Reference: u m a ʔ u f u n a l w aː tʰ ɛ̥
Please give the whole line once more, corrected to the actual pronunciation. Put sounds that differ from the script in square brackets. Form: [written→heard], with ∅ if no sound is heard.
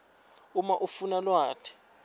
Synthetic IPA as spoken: u m a ʔ u f u n a l w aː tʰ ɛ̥